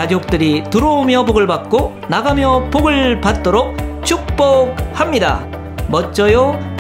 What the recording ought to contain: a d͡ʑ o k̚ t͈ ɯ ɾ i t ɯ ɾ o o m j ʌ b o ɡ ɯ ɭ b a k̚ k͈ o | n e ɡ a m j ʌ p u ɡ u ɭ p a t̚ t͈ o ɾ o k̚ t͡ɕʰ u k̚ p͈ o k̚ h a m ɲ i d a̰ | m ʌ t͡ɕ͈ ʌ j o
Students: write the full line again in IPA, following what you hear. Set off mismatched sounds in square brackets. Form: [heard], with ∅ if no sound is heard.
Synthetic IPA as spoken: a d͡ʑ o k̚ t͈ ɯ ɾ i t ɯ ɾ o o m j ʌ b o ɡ ɯ ɭ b a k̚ k͈ o | n [a] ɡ a m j ʌ p [o] ɡ [ɯ] ɭ p a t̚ t͈ o ɾ o k̚ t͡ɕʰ u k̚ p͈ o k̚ h a m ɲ i d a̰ | m ʌ t͡ɕ͈ ʌ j o